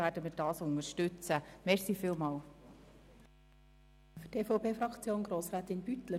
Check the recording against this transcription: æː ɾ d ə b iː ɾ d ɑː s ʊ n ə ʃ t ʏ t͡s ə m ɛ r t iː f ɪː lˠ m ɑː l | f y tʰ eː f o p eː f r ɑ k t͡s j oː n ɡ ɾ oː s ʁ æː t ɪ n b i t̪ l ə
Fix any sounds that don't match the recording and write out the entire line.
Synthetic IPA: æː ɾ d ə m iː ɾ d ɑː s ʊ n ə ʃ t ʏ t͡s ə m ɛ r s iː f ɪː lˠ m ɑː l | f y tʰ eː f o p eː f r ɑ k t͡s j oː n ɡ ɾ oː s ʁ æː t ɪ n b y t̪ l ə